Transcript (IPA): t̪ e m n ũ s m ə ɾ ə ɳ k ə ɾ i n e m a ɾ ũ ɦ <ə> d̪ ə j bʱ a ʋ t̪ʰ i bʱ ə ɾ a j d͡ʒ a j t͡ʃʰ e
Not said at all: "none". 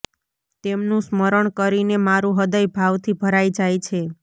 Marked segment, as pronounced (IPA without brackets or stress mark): ə